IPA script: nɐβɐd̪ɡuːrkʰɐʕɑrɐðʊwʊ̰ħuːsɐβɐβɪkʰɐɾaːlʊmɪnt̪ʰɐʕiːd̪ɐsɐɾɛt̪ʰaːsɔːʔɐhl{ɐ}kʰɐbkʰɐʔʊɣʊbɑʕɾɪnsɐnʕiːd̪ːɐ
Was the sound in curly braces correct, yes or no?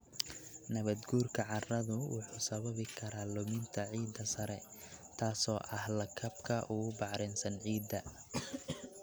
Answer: yes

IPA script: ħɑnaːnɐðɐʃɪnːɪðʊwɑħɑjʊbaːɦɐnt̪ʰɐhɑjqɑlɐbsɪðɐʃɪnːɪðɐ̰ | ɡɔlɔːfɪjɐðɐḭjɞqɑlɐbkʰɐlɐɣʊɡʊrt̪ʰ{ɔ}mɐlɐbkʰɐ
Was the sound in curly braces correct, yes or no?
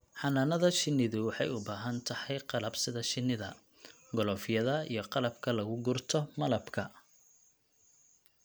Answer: yes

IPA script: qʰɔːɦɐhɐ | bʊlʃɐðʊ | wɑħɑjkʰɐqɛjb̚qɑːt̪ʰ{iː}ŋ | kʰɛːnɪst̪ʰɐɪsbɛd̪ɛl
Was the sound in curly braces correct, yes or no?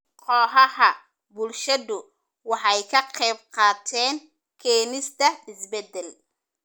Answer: no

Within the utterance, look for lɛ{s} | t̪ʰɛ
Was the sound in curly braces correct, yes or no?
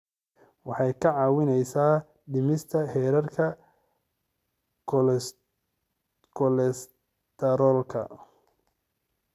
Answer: yes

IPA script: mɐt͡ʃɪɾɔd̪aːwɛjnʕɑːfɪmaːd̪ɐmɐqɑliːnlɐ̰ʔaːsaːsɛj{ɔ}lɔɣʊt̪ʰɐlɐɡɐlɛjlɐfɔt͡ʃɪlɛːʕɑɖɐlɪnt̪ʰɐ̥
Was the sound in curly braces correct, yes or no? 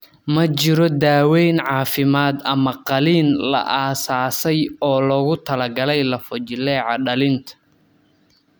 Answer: no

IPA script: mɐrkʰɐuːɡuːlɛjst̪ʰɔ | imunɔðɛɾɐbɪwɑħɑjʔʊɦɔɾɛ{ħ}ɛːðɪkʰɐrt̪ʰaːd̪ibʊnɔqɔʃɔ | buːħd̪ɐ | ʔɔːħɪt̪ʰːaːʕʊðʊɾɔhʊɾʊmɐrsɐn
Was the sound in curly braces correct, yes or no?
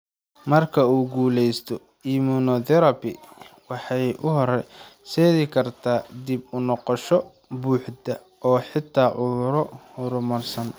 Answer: no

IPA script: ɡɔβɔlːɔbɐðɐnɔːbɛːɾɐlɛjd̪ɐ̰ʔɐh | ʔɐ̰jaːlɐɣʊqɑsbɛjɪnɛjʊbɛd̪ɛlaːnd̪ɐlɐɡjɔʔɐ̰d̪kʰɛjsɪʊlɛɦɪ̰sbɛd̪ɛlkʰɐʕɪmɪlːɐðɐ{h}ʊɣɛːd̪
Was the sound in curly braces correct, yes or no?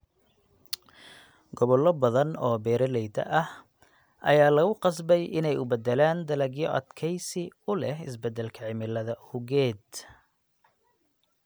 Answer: yes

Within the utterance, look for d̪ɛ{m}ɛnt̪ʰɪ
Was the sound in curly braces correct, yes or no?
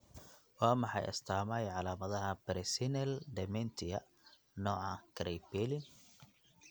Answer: yes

